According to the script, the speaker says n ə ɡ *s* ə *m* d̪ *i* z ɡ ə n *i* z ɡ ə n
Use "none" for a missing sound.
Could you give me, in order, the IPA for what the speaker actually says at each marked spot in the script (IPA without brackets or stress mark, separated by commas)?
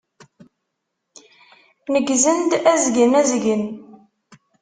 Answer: z, n, æ, æ